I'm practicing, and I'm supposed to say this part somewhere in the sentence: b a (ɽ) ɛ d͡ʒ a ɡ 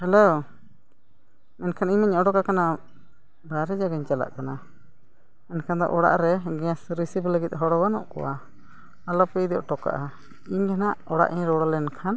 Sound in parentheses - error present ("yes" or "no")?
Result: yes